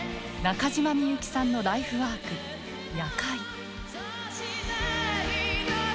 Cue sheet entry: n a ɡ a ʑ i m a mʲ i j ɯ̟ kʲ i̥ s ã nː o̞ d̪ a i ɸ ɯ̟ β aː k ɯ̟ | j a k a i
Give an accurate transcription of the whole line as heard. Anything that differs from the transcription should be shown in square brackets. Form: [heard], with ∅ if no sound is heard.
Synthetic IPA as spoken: n a [k] a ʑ i m a mʲ i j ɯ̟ kʲ i̥ s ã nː o̞ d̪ a i ɸ ɯ̟ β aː k ɯ̟ | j a k a i